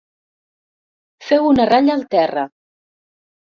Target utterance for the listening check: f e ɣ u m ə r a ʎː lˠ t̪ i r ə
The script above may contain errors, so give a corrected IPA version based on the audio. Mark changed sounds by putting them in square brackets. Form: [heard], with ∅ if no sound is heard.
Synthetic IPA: f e [w] u [n] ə r a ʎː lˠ t̪ [ɛ] r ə